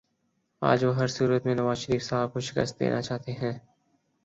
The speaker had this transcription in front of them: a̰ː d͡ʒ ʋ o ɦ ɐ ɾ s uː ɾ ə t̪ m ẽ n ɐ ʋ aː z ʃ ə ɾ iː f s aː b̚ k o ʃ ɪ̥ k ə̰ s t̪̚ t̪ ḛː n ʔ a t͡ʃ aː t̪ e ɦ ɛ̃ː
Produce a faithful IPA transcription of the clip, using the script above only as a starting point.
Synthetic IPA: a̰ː d͡ʒ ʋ o ɦ ɐ ɾ s uː ɾ ə t̪ m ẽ n ɐ ʋ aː z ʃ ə ɾ iː f s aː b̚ k o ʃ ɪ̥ k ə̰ s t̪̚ d̪ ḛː n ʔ a t͡ʃ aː t̪ e ɦ ɛ̃ː